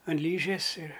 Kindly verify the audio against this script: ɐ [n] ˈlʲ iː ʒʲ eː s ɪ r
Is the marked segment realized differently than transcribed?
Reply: no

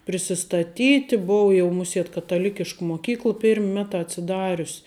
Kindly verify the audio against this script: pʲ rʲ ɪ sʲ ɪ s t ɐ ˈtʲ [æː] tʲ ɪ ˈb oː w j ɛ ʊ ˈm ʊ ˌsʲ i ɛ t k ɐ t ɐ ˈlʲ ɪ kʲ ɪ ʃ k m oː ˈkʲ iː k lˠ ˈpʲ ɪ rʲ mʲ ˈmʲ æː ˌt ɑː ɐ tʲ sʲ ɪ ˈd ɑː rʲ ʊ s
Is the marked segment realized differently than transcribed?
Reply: yes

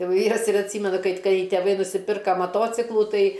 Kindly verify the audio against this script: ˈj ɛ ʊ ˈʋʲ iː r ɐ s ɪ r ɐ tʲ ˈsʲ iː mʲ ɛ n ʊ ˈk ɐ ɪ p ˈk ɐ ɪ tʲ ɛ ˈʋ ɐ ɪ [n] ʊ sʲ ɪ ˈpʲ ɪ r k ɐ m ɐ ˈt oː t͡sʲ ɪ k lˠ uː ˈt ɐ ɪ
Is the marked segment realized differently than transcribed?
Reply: no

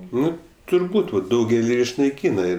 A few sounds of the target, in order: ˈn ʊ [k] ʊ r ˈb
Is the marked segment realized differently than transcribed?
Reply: yes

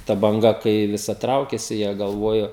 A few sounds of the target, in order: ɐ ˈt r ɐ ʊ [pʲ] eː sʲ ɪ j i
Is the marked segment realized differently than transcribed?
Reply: yes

